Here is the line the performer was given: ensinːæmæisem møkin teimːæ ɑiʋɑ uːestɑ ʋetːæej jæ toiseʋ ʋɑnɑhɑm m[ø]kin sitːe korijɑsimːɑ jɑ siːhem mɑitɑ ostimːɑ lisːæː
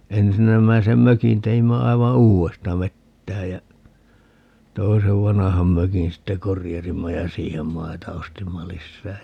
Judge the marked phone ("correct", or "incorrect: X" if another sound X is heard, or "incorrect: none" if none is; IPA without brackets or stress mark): correct